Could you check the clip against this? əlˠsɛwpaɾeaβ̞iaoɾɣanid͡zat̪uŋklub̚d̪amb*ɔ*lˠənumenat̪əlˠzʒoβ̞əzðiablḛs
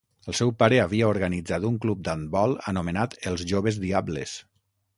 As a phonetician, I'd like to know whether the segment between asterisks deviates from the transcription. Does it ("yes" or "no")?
no